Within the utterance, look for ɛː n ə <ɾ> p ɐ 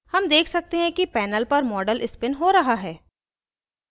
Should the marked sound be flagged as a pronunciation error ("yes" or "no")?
yes